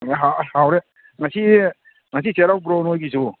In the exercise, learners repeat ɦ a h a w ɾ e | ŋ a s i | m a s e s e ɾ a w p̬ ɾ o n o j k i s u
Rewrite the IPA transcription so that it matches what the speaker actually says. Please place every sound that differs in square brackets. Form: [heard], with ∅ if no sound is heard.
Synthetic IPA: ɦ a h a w ɾ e | ŋ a s i | [ŋ] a s [i] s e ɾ a w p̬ ɾ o n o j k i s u